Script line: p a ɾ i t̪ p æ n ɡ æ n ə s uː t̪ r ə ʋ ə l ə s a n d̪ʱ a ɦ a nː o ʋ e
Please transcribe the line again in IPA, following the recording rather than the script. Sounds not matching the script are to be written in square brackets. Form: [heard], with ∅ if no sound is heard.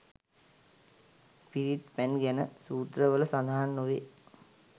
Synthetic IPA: p [i] ɾ i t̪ p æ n ɡ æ n ə s uː t̪ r ə ʋ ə l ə s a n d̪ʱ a ɦ a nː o ʋ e

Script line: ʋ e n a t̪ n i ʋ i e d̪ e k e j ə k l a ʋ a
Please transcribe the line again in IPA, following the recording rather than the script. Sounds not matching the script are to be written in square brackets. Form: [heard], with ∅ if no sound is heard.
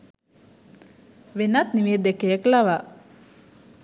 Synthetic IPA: ʋ e n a t̪ n i ʋ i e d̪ e k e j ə k l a ʋ a

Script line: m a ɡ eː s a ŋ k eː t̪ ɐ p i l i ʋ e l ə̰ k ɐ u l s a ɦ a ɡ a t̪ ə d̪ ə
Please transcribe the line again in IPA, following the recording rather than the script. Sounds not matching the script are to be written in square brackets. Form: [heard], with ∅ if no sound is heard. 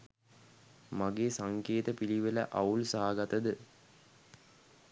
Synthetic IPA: m a ɡ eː s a ŋ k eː t̪ [ə] p i l i ʋ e l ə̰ [ʔ] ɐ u l s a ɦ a ɡ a t̪ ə d̪ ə

